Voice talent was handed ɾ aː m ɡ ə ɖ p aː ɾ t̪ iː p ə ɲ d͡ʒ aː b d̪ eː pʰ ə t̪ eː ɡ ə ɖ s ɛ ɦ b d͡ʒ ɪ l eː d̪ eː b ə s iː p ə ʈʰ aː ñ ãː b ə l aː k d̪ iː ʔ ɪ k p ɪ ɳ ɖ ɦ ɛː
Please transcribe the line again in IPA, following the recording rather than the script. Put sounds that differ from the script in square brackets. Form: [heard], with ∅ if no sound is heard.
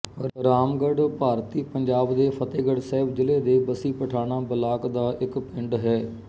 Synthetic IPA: ɾ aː m ɡ ə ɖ p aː ɾ t̪ iː p ə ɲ d͡ʒ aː b d̪ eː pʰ ə t̪ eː ɡ ə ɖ s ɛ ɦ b d͡ʒ ɪ l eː d̪ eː b ə s iː p ə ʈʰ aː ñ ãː b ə l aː k d̪ [aː] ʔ ɪ k p ɪ ɳ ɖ ɦ ɛː